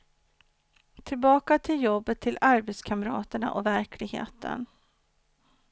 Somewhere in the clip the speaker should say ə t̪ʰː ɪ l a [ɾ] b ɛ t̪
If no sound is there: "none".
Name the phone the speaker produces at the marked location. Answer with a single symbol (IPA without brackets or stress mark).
ɾ